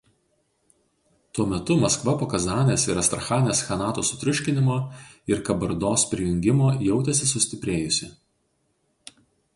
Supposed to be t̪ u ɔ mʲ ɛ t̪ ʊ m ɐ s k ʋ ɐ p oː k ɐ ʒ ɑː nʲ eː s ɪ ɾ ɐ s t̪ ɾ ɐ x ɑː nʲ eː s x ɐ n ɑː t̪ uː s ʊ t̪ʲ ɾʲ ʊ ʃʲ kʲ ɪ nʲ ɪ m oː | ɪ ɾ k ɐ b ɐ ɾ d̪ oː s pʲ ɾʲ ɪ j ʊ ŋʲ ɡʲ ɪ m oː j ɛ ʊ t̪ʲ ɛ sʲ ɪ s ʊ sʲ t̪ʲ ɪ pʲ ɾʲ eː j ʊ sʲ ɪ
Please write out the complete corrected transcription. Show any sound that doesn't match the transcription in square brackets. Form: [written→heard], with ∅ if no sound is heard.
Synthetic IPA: t̪ u ɔ mʲ ɛ t̪ ʊ m ɐ s k ʋ ɐ p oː k ɐ [ʒ→z] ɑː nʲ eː s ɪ ɾ ɐ s t̪ ɾ ɐ x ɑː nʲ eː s x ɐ n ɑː t̪ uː s ʊ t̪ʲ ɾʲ ʊ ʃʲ kʲ ɪ nʲ ɪ m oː | ɪ ɾ k ɐ b ɐ ɾ d̪ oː s pʲ ɾʲ ɪ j ʊ ŋʲ ɡʲ ɪ m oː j ɛ ʊ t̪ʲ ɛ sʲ ɪ s ʊ sʲ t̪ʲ ɪ pʲ ɾʲ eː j ʊ sʲ ɪ

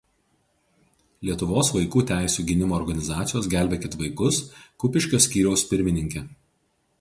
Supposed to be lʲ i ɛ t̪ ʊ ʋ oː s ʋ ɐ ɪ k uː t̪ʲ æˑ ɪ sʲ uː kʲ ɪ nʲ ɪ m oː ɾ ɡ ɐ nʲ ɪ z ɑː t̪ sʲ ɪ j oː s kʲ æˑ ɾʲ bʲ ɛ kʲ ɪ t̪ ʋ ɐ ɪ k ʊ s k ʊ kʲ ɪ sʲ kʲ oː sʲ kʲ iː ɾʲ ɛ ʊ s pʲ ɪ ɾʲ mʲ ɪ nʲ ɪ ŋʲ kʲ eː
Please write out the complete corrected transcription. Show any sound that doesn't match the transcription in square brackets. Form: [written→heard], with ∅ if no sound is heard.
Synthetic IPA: lʲ i ɛ t̪ ʊ ʋ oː s ʋ ɐ ɪ k uː t̪ʲ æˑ ɪ sʲ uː [kʲ→ɡʲ] ɪ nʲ ɪ m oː ɾ ɡ ɐ nʲ ɪ z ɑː t̪ sʲ ɪ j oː s [kʲ→ɡʲ] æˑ [ɾʲ→lʲ] bʲ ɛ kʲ ɪ t̪ ʋ ɐ ɪ k ʊ s k ʊ [kʲ→pʲ] ɪ [sʲ→ʃʲ] kʲ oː sʲ kʲ iː ɾʲ ɛ ʊ s pʲ ɪ ɾʲ mʲ ɪ nʲ ɪ ŋʲ kʲ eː

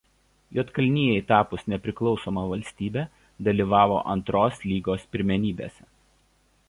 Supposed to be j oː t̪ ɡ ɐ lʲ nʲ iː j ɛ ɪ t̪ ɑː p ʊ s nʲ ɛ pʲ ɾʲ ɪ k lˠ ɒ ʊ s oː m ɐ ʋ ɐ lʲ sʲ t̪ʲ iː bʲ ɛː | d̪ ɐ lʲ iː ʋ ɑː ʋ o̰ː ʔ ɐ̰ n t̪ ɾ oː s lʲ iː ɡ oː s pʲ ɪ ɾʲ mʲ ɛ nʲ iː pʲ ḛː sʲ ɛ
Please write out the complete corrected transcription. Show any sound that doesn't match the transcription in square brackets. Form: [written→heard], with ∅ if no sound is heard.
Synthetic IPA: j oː t̪ [ɡ→k] ɐ lʲ nʲ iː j ɛ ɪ t̪ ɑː p ʊ s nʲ ɛ pʲ ɾʲ ɪ k lˠ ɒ ʊ s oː m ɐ ʋ ɐ lʲ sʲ t̪ʲ iː bʲ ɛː | d̪ ɐ lʲ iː ʋ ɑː ʋ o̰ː ʔ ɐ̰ n t̪ ɾ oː s lʲ iː ɡ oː s pʲ ɪ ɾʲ mʲ ɛ nʲ iː [pʲ→bʲ] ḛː sʲ ɛ

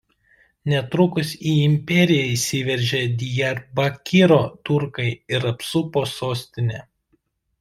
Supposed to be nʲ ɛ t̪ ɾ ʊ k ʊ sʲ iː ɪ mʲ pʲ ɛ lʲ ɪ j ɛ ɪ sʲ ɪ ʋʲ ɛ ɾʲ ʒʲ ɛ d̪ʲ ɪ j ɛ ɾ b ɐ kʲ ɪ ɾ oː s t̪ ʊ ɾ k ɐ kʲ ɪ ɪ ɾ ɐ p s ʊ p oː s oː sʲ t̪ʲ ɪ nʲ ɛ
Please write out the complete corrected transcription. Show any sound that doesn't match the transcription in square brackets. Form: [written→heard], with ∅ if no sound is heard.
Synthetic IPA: nʲ ɛ t̪ ɾ ʊ k ʊ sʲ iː ɪ mʲ pʲ ɛ [lʲ→ɾʲ] ɪ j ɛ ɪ sʲ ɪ ʋʲ ɛ ɾʲ ʒʲ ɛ d̪ʲ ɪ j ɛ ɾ b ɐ kʲ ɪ ɾ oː [s→∅] t̪ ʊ ɾ k ɐ [kʲ→∅] ɪ ɪ ɾ ɐ p s ʊ p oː s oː sʲ t̪ʲ ɪ nʲ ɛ

